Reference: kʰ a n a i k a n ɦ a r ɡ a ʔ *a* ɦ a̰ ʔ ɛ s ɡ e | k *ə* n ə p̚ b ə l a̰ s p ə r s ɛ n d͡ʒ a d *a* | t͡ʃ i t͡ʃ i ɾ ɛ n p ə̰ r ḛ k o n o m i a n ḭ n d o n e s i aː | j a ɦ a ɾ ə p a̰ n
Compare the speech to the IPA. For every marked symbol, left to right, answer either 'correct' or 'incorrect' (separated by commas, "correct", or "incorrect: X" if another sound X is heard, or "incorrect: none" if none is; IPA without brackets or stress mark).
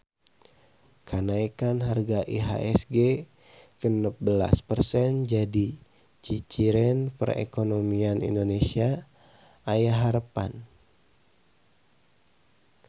incorrect: i, correct, incorrect: i